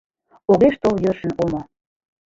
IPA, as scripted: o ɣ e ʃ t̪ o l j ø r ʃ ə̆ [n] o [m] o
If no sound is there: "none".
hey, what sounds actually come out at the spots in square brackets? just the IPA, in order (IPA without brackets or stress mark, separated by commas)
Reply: n, m